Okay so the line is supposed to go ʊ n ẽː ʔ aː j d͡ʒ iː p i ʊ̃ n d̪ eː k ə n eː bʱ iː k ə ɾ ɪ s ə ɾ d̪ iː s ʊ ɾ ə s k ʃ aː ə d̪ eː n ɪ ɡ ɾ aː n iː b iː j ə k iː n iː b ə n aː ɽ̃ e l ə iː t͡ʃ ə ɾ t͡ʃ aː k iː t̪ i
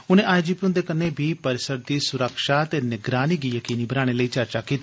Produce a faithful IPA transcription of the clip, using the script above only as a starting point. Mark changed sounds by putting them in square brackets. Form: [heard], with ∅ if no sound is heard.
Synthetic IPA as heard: ʊ n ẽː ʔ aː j d͡ʒ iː p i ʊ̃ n d̪ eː k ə n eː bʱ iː [p] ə ɾ ɪ s ə ɾ d̪ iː s ʊ ɾ ə [∅] k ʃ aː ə [t̪] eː n ɪ ɡ ɾ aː n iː [ɡ] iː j ə k iː n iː b ə n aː ɽ̃ e l ə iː t͡ʃ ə ɾ t͡ʃ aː k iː t̪ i